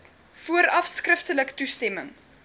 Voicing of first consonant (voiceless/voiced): voiceless